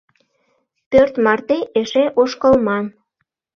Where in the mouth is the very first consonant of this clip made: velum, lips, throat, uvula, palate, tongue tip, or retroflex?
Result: lips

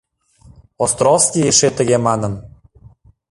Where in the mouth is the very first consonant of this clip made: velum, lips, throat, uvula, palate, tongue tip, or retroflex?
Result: tongue tip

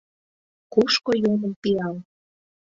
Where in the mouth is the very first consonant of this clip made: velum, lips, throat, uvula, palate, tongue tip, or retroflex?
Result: velum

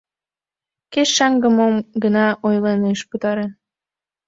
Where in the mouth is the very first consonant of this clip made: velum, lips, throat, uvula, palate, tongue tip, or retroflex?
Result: velum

